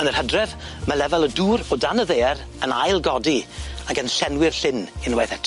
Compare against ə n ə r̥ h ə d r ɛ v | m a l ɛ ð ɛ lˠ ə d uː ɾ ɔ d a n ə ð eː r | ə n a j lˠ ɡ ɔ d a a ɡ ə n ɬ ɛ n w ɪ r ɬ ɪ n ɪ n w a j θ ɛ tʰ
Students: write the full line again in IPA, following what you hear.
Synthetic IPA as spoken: ə n ə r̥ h ə d r ɛ v | m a l ɛ v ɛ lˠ ə d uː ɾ ɔ d a n ə ð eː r | ə n a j lˠ ɡ ɔ d i a ɡ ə n ɬ ɛ n w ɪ r ɬ ɪ n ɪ n w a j θ ɛ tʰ